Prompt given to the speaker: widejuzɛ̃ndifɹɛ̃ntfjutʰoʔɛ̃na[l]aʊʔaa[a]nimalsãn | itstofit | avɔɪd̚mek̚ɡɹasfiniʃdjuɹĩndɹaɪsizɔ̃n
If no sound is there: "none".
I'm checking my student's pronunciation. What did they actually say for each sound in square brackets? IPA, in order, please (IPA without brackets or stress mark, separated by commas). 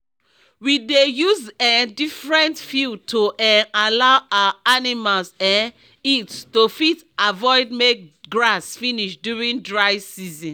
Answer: l, a